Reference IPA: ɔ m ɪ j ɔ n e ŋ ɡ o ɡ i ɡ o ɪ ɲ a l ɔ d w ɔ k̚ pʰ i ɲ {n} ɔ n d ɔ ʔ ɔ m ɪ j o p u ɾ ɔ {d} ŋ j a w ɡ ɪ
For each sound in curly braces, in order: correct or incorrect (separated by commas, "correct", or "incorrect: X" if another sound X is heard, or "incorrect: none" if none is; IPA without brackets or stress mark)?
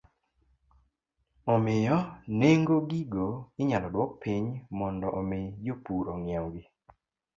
incorrect: m, incorrect: none